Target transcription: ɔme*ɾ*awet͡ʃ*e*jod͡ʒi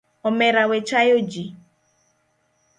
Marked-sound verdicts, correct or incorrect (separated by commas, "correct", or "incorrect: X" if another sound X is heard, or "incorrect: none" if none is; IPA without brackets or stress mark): correct, incorrect: a